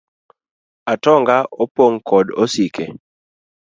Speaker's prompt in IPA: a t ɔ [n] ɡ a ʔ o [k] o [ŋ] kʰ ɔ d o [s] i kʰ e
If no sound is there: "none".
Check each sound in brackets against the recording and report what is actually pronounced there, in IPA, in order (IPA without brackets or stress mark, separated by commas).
ŋ, p, ŋ, s